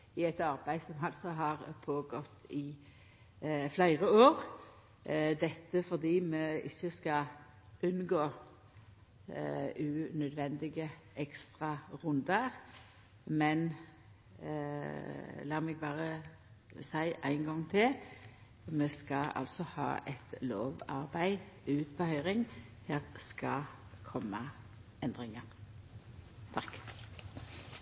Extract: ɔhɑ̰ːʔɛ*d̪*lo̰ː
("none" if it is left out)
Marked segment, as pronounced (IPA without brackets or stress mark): t̪